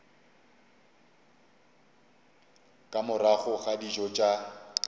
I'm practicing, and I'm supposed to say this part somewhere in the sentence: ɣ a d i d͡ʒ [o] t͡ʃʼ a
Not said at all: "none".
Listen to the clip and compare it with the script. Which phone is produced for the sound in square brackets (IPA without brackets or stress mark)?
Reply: ɔ